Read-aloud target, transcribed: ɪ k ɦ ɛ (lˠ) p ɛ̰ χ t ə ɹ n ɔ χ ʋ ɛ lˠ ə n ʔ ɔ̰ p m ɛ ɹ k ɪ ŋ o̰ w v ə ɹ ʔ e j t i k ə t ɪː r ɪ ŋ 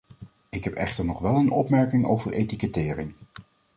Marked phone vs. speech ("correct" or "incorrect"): incorrect